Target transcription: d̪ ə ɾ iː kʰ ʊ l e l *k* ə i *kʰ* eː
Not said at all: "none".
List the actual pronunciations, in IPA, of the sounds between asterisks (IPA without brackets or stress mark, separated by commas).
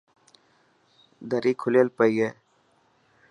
p, none